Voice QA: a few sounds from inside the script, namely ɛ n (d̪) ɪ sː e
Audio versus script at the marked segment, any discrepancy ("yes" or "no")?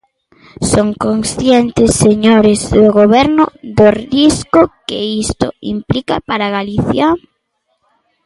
yes